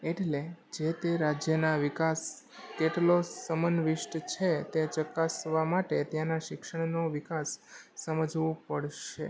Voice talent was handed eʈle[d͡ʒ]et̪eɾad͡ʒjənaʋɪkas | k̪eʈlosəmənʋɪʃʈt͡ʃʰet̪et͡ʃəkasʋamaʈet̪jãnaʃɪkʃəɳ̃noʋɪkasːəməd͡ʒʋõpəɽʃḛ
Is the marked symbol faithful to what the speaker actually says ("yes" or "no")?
yes